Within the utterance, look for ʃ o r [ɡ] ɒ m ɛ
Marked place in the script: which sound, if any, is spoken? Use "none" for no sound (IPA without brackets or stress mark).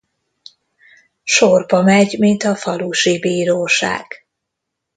b